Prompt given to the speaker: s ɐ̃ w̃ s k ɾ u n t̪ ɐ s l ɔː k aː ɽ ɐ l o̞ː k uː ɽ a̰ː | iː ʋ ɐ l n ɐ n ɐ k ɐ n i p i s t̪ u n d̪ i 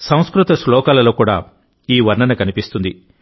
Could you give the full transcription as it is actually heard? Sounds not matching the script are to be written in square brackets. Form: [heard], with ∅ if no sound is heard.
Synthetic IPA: s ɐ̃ w̃ s k ɾ u [∅] t̪ ɐ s l ɔː k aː [l] ɐ l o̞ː k uː ɽ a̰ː | iː ʋ ɐ [ɾ] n ɐ n ɐ k ɐ n i p i s t̪ u n d̪ i